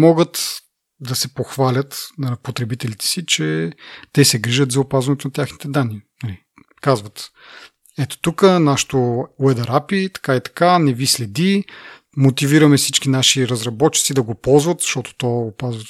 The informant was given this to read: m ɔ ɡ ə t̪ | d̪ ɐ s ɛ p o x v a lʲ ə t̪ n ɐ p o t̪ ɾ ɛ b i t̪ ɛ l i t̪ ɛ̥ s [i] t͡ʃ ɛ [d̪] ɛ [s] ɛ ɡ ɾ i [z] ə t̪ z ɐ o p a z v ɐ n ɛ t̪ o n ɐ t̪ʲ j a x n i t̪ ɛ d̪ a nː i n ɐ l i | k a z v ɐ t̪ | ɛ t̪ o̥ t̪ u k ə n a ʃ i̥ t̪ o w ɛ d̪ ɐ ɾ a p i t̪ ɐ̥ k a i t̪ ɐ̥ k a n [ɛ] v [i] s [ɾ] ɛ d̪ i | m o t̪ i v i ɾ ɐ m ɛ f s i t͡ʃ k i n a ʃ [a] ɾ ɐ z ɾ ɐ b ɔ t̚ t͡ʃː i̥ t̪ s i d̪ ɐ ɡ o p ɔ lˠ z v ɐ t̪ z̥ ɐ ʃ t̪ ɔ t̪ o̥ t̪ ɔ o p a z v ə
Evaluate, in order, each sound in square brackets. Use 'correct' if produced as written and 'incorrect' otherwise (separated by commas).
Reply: correct, incorrect, correct, incorrect, correct, correct, incorrect, incorrect